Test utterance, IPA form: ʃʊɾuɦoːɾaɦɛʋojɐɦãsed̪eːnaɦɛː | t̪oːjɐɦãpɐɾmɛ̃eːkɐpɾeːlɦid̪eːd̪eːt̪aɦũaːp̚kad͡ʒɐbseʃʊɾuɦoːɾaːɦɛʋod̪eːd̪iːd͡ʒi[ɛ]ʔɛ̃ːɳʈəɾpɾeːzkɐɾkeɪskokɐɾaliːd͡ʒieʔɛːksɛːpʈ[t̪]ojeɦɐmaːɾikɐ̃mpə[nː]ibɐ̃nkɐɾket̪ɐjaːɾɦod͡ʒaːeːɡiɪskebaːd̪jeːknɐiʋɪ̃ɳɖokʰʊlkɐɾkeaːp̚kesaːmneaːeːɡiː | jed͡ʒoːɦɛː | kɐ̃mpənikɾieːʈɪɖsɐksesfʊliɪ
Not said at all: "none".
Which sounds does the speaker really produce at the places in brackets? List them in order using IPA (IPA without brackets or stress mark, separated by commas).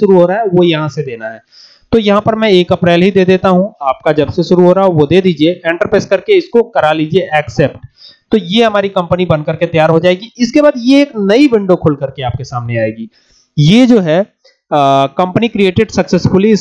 e, t̪, n